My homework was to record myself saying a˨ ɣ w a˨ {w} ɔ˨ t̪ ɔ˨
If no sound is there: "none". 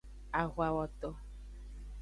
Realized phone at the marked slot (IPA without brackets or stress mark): w